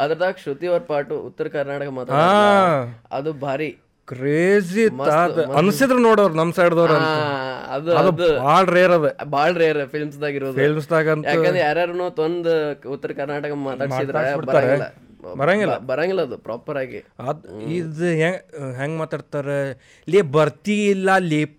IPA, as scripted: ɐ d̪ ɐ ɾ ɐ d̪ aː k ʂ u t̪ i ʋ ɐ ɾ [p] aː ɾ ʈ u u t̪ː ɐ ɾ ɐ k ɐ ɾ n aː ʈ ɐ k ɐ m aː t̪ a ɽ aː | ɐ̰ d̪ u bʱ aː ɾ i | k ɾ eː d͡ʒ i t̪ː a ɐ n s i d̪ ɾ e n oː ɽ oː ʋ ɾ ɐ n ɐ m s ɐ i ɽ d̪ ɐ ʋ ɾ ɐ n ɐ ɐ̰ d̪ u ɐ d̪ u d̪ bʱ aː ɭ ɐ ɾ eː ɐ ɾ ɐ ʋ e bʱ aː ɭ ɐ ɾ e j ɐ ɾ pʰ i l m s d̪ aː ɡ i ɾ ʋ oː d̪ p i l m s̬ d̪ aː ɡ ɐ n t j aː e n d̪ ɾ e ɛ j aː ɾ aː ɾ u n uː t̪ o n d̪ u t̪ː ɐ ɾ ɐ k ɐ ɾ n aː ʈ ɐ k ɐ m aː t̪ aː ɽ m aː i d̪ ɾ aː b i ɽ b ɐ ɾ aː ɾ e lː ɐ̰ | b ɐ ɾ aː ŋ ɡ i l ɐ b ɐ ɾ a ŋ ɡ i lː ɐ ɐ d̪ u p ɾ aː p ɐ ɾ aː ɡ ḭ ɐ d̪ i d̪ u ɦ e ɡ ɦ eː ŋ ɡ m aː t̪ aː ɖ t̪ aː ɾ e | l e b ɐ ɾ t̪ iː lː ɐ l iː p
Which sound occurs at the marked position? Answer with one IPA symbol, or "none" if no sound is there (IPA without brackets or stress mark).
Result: p